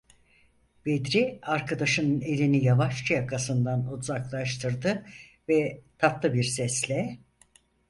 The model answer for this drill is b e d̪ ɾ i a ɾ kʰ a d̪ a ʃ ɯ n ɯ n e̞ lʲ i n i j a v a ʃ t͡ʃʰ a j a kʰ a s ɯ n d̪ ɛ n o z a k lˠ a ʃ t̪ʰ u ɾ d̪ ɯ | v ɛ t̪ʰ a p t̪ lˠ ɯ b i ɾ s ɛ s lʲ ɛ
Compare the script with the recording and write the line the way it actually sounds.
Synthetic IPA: b e d̪ ɾ i a ɾ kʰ a d̪ a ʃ ɯ n ɯ n e̞ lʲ i n i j a v a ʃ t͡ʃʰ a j a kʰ a s ɯ n d̪ a n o z a k lˠ a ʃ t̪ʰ ɯ ɾ d̪ ɯ | v ɛ t̪ʰ a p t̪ lˠ ɯ b i ɾ s ɛ s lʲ ɛ